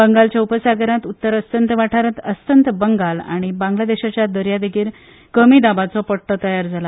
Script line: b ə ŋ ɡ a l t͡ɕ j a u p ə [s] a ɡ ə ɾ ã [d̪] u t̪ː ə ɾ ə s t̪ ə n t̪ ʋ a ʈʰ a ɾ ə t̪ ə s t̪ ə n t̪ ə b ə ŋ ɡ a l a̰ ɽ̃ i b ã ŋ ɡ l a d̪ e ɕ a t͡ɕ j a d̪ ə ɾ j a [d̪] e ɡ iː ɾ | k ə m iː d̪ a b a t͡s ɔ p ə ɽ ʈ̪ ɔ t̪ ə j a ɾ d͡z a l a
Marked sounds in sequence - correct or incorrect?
correct, incorrect: t̪, correct

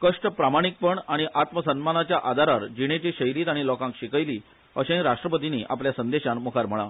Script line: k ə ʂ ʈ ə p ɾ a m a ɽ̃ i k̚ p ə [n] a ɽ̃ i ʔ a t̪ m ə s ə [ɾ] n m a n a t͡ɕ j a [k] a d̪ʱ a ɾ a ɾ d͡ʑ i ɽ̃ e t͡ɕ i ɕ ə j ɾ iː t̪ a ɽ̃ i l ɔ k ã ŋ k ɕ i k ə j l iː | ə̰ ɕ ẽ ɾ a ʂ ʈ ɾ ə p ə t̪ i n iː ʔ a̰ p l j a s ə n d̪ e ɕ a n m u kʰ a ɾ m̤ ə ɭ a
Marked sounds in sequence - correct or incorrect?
incorrect: ɳ, incorrect: none, incorrect: ʔ

